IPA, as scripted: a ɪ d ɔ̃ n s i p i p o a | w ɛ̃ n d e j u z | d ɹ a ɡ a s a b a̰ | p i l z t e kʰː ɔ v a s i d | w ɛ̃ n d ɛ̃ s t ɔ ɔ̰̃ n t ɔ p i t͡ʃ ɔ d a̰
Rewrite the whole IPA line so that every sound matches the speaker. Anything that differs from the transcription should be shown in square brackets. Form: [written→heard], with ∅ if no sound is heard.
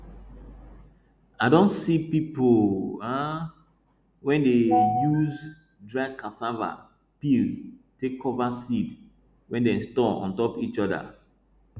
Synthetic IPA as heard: a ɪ d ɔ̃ n s i p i p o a | w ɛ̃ n d e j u z | d ɹ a [ɡ→k] a s a [b→v] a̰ | p i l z t e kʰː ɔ v a s i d | w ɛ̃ n d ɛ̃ s t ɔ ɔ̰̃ n t ɔ p i t͡ʃ ɔ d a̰